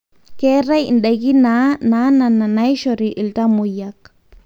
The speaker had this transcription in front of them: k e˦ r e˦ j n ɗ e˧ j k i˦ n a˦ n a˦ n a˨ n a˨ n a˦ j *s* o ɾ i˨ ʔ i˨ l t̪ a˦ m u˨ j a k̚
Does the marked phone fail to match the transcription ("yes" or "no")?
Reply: yes